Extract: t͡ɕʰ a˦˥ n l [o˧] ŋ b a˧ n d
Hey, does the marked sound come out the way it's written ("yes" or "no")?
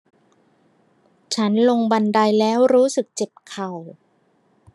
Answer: yes